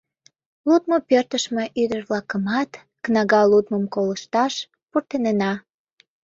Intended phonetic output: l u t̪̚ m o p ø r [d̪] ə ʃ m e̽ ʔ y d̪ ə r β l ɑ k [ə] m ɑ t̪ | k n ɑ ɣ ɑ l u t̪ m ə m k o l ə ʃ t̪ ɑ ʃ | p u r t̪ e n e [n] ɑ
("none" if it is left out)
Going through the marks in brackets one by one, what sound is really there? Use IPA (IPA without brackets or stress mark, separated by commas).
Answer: t̪, ə, n